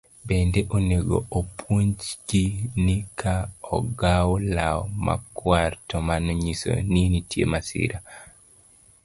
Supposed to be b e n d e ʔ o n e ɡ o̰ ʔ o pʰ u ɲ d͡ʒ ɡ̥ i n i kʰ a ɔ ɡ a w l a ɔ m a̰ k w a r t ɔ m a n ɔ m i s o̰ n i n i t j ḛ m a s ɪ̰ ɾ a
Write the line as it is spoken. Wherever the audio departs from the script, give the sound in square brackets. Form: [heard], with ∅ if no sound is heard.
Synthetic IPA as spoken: b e n d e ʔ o n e ɡ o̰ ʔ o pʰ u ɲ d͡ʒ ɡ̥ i n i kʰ a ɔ ɡ a w l a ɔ m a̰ k w a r t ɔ m a n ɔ [ɲ] i s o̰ n i n i t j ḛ m a s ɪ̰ ɾ a